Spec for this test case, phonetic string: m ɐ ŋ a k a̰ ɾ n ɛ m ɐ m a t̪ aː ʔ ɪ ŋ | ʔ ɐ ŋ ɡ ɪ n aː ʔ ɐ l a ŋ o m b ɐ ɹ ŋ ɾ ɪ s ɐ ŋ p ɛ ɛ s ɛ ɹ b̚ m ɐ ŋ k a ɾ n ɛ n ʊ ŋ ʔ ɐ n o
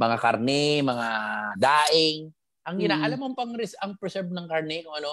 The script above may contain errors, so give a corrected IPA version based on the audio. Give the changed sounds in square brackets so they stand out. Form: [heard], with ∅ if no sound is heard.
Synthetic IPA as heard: m ɐ ŋ a k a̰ ɾ n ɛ m ɐ [ŋ] a [d̪] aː ʔ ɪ ŋ | ʔ ɐ ŋ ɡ ɪ n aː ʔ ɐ l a [m] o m [p] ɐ [∅] ŋ ɾ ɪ s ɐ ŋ p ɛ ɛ s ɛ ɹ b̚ [n] ɐ ŋ k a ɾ n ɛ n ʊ ŋ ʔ ɐ n o